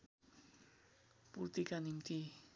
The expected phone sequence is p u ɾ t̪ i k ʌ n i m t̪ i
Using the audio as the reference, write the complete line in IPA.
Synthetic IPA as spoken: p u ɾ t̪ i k a n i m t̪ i

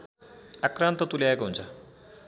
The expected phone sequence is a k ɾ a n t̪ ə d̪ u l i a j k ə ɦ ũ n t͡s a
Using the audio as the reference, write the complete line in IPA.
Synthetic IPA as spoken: a k ɾ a n t̪ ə t̪ u l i a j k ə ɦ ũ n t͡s a

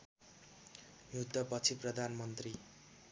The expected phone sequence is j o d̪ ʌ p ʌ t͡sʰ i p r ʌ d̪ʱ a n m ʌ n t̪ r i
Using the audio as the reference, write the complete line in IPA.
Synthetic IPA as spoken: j u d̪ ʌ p ʌ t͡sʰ i p r ʌ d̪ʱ a n m ʌ n t̪ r i

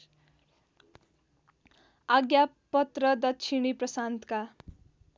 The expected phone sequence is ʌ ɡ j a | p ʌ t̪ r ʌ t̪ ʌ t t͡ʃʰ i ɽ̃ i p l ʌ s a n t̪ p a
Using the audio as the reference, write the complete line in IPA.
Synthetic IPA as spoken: a ɡ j a | p ʌ t̪ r ʌ d̪ ʌ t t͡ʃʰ i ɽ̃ i p r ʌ s a n t̪ k a

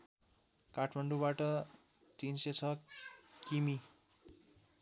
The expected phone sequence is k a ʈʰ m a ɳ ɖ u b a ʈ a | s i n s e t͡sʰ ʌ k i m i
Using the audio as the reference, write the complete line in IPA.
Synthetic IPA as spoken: k a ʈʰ m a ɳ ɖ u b a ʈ ʌ | t͡s i n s e t͡sʰ ʌ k i m i

